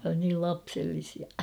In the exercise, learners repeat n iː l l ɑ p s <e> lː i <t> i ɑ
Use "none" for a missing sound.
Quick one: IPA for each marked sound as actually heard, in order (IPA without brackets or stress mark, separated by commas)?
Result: e, s